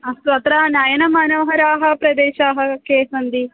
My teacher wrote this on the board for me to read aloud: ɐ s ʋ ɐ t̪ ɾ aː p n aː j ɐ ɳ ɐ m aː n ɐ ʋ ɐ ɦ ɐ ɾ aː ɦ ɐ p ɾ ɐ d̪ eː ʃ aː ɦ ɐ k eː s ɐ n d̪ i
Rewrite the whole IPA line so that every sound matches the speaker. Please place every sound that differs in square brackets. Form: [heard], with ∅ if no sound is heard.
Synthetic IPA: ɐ s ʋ ɐ t̪ ɾ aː [∅] n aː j ɐ [n] ɐ m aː n ɐ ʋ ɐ ɦ ɐ ɾ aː ɦ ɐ p ɾ ɐ d̪ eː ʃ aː ɦ ɐ k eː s ɐ n d̪ i

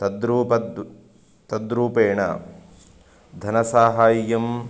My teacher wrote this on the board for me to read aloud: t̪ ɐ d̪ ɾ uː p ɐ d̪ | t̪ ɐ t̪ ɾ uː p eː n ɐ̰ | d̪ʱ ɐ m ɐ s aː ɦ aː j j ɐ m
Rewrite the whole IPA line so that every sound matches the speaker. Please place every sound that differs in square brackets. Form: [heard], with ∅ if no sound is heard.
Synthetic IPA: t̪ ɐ d̪ ɾ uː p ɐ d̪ | t̪ ɐ [d̪] ɾ uː p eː [ɳ] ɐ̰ | d̪ʱ ɐ [n] ɐ s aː ɦ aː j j ɐ m

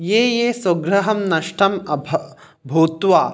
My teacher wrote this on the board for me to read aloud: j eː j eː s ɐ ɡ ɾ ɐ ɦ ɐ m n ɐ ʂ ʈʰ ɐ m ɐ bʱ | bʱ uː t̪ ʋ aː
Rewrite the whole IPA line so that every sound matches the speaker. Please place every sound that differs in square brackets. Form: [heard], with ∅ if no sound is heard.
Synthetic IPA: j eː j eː s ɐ ɡ ɾ ɐ ɦ ɐ m n ɐ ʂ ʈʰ ɐ m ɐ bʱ | bʱ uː t̪ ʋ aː

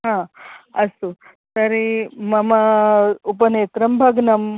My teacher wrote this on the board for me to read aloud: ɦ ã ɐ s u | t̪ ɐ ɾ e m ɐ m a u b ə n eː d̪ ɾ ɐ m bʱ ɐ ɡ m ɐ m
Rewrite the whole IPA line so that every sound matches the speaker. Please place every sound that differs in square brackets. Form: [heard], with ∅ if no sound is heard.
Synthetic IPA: ɦ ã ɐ s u | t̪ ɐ ɾ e m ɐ m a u [p] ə n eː [t̪] ɾ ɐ m bʱ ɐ ɡ [n] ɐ m

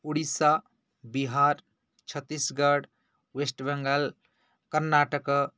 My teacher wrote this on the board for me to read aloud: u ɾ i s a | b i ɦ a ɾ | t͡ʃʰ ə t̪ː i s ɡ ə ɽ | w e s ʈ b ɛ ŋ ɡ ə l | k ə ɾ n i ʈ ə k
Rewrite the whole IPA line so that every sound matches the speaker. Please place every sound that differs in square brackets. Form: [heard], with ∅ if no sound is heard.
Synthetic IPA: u [ɽ] i s a | b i ɦ a ɾ | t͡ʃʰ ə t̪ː i s ɡ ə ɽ | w e s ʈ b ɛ ŋ ɡ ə l | k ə ɾ n [a] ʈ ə k

